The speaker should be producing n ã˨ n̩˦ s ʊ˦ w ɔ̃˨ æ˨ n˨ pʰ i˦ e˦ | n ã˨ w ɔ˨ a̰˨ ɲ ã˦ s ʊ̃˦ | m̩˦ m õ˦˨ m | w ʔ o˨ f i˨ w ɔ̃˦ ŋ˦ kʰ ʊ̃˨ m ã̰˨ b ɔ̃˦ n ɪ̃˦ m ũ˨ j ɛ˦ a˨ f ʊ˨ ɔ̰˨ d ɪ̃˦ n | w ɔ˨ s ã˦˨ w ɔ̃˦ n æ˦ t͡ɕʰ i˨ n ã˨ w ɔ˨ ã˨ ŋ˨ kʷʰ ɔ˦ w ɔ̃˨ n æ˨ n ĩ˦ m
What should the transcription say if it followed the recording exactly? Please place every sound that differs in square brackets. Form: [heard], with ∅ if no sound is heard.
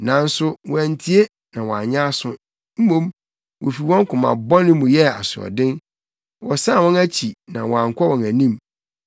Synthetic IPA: n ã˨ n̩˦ s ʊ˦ w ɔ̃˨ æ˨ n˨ [tʰ] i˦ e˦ | n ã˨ w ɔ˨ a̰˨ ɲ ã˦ s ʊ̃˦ | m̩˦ m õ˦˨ m | w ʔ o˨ f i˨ w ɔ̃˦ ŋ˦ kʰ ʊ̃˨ m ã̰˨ b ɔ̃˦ n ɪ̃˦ m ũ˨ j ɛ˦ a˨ [s] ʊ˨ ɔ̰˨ d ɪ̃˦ n | w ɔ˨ s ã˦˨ w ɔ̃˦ n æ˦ t͡ɕʰ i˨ n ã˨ w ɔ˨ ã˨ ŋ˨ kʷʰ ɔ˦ w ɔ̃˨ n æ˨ n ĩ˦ m